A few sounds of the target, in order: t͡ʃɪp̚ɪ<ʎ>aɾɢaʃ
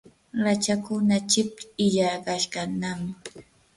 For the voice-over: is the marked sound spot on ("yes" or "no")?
yes